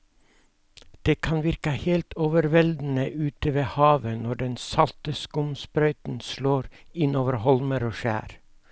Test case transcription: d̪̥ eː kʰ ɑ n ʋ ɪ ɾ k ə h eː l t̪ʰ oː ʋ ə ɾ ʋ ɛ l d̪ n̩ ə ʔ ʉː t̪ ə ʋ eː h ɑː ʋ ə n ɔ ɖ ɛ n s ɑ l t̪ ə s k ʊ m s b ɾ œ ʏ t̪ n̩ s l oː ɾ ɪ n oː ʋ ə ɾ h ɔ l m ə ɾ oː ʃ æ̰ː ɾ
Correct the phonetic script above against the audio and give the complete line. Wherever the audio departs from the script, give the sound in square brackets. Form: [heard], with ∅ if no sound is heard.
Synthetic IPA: d̪̥ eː kʰ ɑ n ʋ ɪ ɾ k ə h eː l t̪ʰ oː ʋ ə ɾ ʋ ɛ l d̪ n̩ ə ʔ ʉː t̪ ə ʋ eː h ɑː ʋ ə n ɔ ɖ ɛ n s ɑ l t̪ ə s k ʊ m s [p] ɾ œ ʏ t̪ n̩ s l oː ɾ ɪ n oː ʋ ə ɾ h ɔ l m ə ɾ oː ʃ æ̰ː ɾ